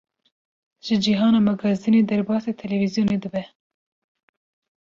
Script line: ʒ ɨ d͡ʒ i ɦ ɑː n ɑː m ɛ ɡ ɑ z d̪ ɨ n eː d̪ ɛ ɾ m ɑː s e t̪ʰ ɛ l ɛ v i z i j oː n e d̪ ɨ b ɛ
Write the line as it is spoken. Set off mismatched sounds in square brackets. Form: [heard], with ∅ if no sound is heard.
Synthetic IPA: ʒ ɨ d͡ʒ i ɦ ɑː n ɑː m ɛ ɡ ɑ z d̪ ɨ n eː d̪ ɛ ɾ [b] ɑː s e t̪ʰ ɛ l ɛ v i z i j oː n e d̪ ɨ b ɛ